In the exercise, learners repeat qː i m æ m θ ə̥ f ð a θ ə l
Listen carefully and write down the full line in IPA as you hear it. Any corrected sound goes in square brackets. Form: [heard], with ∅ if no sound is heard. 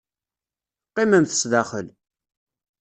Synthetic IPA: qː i m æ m θ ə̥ [s] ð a [χ] ə l

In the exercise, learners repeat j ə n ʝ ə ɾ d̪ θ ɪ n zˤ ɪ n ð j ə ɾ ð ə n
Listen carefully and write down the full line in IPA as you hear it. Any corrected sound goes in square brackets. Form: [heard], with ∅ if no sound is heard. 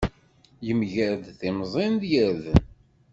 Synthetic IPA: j ə [m] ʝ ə ɾ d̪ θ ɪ [m] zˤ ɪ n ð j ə ɾ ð ə n

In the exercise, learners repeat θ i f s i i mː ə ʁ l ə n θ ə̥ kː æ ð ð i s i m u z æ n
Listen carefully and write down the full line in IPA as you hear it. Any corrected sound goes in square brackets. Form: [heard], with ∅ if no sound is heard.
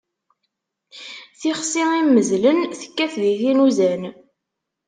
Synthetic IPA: θ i [χ] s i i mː ə [z] l ə n θ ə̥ kː æ [θ] ð i [θ] i [n] u z æ n

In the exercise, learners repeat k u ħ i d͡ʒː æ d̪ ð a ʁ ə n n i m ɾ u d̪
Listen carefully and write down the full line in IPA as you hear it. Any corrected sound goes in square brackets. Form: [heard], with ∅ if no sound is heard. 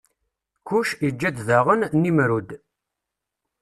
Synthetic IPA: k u [ʃ] i d͡ʒː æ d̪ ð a ʁ ə n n i m ɾ u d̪

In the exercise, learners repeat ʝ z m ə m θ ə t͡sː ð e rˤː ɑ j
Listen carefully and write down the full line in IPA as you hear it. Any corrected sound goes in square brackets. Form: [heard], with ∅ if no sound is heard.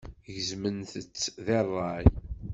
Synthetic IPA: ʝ z m ə [n] θ ə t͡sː ð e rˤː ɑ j

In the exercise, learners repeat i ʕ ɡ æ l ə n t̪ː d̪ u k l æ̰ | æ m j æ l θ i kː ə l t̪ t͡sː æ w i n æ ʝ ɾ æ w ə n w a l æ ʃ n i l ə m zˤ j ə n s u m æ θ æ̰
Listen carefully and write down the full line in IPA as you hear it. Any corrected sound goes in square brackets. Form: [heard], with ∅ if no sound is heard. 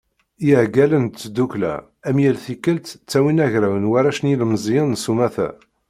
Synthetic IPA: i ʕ ɡ æ l ə n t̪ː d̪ u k l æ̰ | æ m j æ l θ i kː ə l t̪ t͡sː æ w i n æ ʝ ɾ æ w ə n w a [ɾ] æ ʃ n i l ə m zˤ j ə n s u m æ θ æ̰

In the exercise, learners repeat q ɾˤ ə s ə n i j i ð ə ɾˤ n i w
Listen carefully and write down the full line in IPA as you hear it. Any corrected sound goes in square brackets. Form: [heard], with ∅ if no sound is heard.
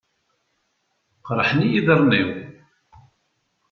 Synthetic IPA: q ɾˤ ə [ħ] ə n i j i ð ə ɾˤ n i w

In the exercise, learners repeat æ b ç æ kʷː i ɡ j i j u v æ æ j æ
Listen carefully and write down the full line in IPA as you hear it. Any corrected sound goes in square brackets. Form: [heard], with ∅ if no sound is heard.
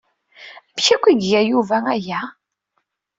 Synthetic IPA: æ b ç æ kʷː i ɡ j [æ] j u v æ æ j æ

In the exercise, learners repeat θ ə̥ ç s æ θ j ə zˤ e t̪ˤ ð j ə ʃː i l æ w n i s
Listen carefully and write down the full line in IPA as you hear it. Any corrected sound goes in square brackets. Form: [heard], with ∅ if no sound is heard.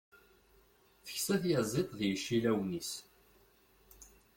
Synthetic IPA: θ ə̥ ç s æ θ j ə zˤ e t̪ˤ ð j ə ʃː i l æ w n i s

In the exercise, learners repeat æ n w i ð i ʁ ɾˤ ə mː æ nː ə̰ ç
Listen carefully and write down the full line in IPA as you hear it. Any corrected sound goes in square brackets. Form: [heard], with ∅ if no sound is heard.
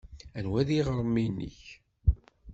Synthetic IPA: æ n w [æ] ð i ʁ ɾˤ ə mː [i] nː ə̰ ç

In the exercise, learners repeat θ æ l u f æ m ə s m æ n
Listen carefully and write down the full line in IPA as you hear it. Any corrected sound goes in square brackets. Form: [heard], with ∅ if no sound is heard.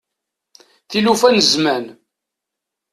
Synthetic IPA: θ [i] l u f æ [n] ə [z] m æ n

